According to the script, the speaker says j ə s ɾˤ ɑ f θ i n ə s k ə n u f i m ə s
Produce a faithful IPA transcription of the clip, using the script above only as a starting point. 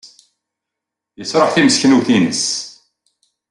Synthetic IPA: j ə s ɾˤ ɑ ħ θ i m ə s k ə n u θ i n ə s